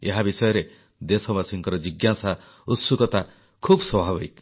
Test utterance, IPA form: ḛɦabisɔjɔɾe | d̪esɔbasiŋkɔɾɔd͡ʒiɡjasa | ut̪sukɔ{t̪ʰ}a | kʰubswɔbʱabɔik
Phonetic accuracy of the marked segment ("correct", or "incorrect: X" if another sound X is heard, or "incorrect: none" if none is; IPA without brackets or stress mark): incorrect: t̪